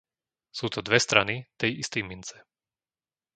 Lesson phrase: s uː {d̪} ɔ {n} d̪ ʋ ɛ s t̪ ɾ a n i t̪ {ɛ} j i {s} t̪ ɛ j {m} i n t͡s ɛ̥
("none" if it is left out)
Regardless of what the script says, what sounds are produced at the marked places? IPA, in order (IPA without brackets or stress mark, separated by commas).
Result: t̪, none, ɛ, s, m